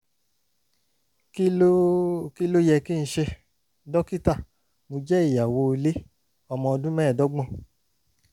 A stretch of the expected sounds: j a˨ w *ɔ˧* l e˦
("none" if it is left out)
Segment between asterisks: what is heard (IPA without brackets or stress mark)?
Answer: o˧